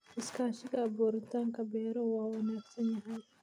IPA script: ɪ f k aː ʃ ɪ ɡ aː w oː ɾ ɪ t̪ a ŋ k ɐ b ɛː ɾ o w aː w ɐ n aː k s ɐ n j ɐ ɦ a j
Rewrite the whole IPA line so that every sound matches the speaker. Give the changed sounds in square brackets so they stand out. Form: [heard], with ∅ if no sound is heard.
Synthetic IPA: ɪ [s] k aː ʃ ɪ ɡ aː [b] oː ɾ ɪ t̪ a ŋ k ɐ b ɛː ɾ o w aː w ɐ n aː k s ɐ n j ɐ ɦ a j